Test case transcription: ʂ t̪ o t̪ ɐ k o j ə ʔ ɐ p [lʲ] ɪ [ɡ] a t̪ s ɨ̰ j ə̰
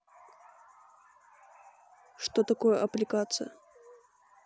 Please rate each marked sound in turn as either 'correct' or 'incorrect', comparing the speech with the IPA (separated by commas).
correct, incorrect